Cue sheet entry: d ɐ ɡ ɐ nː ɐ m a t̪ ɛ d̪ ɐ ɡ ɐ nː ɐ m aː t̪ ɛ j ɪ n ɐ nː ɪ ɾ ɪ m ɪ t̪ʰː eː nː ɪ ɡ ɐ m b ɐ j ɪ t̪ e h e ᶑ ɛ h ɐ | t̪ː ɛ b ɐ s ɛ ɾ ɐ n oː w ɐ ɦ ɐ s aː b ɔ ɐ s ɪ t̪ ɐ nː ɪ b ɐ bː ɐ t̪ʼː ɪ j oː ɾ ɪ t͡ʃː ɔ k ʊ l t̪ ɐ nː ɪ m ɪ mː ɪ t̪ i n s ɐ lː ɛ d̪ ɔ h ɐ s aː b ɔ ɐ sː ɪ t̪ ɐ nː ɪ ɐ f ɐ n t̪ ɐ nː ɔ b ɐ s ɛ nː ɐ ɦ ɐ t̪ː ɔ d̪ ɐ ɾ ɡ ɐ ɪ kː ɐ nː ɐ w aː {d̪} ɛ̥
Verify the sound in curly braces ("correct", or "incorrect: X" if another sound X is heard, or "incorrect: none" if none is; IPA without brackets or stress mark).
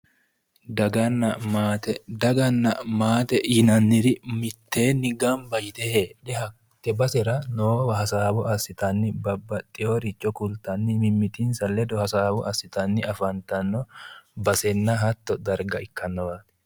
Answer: incorrect: t̪